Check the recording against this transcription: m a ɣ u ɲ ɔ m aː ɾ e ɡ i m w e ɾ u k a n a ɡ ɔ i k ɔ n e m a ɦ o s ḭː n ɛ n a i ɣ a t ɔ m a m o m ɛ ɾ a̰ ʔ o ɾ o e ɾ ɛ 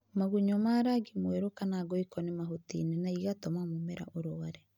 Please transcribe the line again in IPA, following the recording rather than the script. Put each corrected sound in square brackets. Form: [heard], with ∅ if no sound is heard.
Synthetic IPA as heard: m a ɣ u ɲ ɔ m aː ɾ [a] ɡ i m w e ɾ [o] k a n a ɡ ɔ i k ɔ n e m a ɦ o [t] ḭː n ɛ n a i ɣ a t ɔ m a m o m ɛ ɾ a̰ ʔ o ɾ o [a] ɾ ɛ